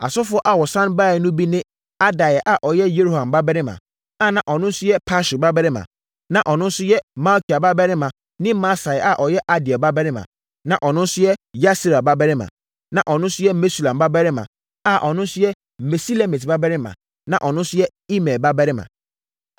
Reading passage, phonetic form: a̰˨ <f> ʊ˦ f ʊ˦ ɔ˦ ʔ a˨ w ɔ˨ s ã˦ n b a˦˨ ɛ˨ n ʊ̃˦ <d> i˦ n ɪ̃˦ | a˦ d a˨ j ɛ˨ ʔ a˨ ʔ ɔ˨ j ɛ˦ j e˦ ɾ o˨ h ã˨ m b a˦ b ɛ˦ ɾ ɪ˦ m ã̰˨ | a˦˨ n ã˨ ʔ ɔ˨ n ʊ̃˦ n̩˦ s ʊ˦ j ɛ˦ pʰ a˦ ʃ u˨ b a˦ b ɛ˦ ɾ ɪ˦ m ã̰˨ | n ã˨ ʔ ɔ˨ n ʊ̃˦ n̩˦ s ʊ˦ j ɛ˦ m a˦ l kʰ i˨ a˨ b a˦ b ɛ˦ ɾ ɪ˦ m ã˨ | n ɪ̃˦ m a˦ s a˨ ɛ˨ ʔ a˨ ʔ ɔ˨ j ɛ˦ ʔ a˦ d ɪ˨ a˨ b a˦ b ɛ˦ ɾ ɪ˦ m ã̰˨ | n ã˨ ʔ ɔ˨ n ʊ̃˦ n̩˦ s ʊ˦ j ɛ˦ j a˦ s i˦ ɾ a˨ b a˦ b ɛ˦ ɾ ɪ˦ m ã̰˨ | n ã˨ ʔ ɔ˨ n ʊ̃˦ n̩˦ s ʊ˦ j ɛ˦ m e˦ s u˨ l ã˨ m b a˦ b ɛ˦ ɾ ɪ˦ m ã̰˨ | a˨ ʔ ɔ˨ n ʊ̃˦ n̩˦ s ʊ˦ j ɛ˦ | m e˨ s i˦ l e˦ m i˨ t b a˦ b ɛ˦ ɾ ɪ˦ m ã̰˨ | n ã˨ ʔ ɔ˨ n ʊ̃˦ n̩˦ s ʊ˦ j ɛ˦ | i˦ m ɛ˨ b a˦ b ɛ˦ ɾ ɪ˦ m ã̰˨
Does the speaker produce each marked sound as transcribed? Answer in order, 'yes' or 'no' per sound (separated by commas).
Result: no, no